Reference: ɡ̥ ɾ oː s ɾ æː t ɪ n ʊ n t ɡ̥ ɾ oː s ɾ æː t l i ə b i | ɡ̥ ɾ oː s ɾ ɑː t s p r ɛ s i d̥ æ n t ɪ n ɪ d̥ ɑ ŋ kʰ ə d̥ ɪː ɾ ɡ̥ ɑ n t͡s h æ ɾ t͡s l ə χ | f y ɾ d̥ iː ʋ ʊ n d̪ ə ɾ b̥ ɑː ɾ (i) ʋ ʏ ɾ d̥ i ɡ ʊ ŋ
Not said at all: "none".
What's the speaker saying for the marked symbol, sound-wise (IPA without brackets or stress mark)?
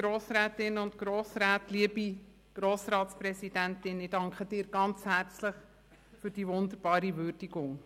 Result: i